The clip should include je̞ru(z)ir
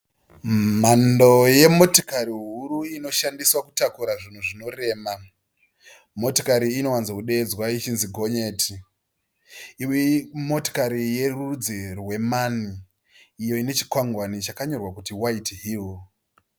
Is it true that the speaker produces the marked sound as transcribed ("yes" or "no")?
no